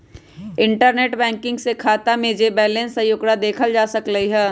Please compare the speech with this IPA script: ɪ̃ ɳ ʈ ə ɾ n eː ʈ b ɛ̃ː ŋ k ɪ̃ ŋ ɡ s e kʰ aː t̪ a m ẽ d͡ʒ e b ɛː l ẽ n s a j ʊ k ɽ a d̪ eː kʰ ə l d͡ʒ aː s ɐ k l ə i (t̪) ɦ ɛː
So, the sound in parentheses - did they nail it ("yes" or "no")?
no